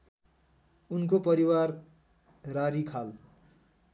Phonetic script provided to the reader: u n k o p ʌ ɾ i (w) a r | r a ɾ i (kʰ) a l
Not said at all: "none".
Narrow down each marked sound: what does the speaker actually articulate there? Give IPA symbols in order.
w, kʰ

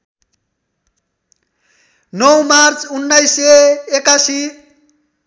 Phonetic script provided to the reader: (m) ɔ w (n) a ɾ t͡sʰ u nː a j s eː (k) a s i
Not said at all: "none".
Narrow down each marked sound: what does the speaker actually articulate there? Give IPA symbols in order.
n, m, k

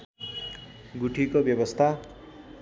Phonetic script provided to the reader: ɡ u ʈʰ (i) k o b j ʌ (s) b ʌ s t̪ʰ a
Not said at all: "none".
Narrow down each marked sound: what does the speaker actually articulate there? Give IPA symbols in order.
i, none

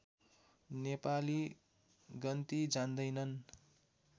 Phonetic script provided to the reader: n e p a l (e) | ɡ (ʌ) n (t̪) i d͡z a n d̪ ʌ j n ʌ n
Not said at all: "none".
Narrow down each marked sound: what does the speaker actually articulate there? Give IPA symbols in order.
i, ʌ, t̪

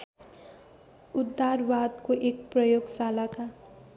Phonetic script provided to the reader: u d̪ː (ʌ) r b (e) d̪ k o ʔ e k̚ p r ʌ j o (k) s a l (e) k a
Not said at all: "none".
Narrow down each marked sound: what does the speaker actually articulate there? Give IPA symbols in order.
a, a, ɡ, a

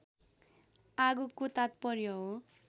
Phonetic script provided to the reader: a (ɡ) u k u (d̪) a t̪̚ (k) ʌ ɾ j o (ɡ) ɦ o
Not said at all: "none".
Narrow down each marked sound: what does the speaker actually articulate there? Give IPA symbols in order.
ɡ, t̪, p, none

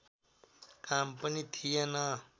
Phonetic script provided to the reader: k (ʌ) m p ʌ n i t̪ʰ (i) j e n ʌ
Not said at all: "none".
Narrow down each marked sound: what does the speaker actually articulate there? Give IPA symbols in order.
a, i

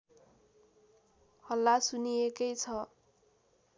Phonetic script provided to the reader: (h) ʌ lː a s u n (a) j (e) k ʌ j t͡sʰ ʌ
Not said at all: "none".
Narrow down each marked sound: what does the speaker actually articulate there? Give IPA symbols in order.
h, i, e

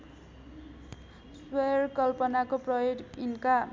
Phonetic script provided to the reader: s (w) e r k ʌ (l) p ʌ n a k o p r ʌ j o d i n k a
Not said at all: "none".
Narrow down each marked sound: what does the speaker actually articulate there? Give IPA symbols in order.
w, l

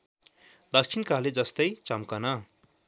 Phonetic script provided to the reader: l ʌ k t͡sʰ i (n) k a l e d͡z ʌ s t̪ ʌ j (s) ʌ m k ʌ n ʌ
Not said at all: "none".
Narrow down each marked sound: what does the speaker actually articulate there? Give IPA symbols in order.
n, t͡s

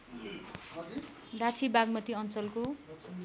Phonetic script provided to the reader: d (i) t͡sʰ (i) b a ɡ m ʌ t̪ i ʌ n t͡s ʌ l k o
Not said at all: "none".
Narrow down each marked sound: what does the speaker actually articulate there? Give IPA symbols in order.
a, i

